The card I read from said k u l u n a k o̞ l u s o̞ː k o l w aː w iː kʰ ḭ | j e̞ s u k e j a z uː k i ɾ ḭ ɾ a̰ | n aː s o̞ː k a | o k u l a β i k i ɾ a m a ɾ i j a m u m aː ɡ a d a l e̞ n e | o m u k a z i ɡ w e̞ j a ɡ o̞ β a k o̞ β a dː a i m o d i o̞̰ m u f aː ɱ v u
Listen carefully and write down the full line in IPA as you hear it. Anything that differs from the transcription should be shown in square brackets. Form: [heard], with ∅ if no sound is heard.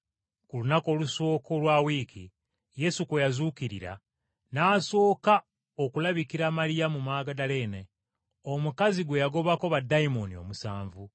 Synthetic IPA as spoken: k u l u n a k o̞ l u s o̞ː k o l w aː w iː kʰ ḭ | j e̞ s u k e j a z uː k i ɾ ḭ ɾ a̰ | n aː s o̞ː k a | o k u l a β i k i ɾ a m a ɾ i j a m u m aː ɡ a d a l e̞ n e | o m u k a z i ɡ w e̞ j a ɡ o̞ β a k o̞ β a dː a i m o [n] i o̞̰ m u [s] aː ɱ v u